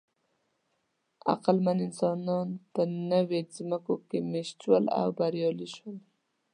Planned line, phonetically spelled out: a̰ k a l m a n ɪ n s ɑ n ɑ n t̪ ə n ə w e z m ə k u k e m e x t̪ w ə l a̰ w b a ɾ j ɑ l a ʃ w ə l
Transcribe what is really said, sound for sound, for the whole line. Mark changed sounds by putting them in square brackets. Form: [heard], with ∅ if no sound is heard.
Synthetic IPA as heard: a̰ [q] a l m a n ɪ n s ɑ n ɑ n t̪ ə n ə w e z m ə k [o] k e m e [ʃ] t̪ w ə l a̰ w b a ɾ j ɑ l [i] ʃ w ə l